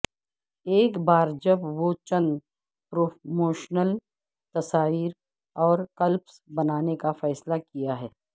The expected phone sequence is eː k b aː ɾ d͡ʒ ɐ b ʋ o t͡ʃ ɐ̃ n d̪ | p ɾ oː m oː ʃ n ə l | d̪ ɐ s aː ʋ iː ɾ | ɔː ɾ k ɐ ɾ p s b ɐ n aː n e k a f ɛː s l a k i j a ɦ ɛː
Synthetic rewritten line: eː k b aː ɾ d͡ʒ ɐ b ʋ o t͡ʃ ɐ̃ n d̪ | p ɾ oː m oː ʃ n ə l | t̪ ɐ s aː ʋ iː ɾ | ɔː ɾ k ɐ l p s b ɐ n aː n e k a f ɛː s l a k i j a ɦ ɛː